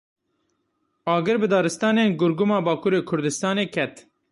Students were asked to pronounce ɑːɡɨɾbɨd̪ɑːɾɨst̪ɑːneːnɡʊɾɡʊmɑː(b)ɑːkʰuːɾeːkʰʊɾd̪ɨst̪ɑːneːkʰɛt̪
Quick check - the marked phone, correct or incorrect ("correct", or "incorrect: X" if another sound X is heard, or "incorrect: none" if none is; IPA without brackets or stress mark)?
correct